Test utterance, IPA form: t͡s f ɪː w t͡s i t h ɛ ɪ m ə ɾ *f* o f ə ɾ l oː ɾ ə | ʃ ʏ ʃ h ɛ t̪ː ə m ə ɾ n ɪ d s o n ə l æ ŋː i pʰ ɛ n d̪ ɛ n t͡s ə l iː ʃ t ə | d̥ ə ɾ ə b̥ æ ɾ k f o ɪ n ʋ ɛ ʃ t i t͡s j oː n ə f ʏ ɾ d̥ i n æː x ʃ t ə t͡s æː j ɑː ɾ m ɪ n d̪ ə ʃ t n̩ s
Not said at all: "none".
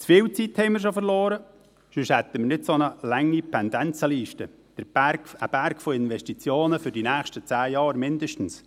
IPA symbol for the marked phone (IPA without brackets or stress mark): ʃ